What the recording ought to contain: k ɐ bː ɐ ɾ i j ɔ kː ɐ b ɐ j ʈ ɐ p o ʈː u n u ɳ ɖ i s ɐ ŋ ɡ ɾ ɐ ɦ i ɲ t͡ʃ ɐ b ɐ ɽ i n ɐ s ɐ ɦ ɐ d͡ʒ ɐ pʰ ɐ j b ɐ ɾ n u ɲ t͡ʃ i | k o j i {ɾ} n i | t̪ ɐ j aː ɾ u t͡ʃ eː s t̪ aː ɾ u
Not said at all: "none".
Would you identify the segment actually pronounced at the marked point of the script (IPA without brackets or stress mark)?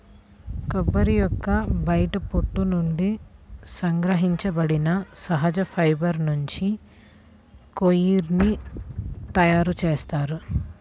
ɾ